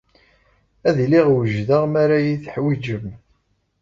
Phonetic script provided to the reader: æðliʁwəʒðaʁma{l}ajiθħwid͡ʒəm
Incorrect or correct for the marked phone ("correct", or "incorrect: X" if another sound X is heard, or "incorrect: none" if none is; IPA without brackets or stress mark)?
incorrect: ɾ